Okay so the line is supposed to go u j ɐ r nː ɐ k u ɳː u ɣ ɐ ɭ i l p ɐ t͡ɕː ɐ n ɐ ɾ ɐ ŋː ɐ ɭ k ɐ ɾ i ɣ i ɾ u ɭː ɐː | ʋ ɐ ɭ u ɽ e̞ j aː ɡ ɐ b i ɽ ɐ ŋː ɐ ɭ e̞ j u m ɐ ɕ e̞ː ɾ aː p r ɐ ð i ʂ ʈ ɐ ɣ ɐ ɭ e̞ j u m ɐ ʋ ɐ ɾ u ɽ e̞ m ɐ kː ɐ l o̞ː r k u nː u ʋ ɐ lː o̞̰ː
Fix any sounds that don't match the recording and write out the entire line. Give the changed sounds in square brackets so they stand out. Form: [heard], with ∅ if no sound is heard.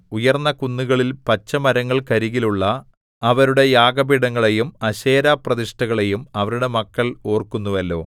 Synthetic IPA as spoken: u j ɐ r nː ɐ k u [nː] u ɣ ɐ ɭ i l p ɐ t͡ɕː ɐ [m] ɐ ɾ ɐ ŋː ɐ ɭ k ɐ ɾ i ɣ i [l] u ɭː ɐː | ʋ ɐ [ɾ] u ɽ e̞ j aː ɡ ɐ b i ɽ ɐ ŋː ɐ ɭ e̞ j u m ɐ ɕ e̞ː ɾ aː p r ɐ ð i ʂ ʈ ɐ ɣ ɐ ɭ e̞ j u m ɐ ʋ ɐ ɾ u ɽ e̞ m ɐ kː ɐ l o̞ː r k u nː u ʋ ɐ lː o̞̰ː